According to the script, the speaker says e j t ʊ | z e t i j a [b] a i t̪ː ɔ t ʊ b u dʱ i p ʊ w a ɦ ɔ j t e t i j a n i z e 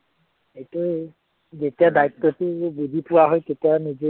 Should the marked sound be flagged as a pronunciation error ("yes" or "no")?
yes